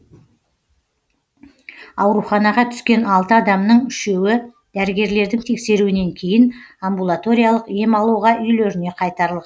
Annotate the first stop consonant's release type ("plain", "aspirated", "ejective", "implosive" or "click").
aspirated